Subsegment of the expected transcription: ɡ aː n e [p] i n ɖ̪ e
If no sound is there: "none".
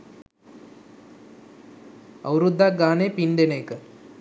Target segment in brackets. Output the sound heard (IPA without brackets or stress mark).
p